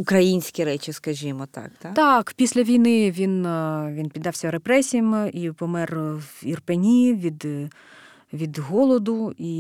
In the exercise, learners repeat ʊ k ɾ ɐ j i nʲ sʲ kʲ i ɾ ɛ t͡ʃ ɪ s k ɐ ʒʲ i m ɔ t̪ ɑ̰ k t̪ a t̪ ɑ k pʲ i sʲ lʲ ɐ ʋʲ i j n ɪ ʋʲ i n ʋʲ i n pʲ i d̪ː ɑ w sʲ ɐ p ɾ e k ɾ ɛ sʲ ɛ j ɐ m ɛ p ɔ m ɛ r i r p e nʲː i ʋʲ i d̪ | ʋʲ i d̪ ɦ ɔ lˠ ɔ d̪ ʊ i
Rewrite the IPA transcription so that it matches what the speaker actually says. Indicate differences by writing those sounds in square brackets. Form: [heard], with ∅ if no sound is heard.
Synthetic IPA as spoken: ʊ k ɾ ɐ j i nʲ sʲ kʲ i ɾ ɛ t͡ʃ ɪ s k ɐ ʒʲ i m ɔ t̪ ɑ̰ k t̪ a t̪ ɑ k pʲ i sʲ lʲ ɐ ʋʲ i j n ɪ ʋʲ i n ʋʲ i n pʲ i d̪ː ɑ w sʲ ɐ [∅] ɾ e [p] ɾ ɛ sʲ [i] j ɐ m [i] p ɔ m ɛ r i r p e [nʲ] i ʋʲ i d̪ | ʋʲ i d̪ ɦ ɔ lˠ ɔ d̪ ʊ i